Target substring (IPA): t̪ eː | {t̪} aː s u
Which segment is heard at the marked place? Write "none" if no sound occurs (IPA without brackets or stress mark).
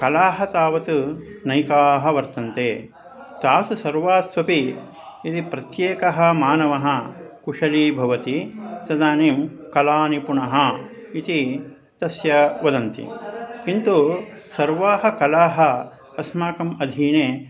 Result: t̪